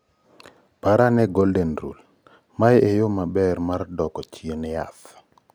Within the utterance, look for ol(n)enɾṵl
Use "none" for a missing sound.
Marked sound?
d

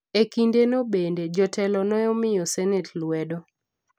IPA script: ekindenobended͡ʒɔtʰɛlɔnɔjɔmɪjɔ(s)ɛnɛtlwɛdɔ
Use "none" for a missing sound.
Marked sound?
s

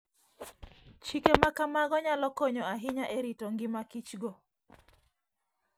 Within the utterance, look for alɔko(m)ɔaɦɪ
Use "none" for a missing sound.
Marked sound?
ɲ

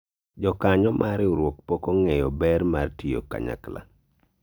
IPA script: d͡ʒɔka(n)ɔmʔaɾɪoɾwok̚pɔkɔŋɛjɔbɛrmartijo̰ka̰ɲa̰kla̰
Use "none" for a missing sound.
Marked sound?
ɲ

